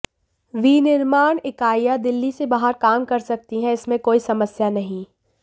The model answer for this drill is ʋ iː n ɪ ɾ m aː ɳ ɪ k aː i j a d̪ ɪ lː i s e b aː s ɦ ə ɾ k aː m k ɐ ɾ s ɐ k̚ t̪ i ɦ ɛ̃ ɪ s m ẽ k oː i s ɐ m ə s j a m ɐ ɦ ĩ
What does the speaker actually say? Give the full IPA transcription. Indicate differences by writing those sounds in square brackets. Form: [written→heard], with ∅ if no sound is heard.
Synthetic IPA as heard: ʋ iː n ɪ ɾ m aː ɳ ɪ k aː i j a d̪ ɪ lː i s e b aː [s→∅] ɦ ə ɾ k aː m k ɐ ɾ s ɐ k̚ t̪ i ɦ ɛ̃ ɪ s m ẽ k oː i s ɐ m ə s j a [m→n] ɐ ɦ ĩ